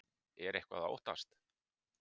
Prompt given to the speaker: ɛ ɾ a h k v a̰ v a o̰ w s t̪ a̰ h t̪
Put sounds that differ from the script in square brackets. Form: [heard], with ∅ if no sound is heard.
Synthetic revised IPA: ɛ ɾ [e] h k v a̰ [ð] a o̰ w [h] t̪ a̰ [s] t̪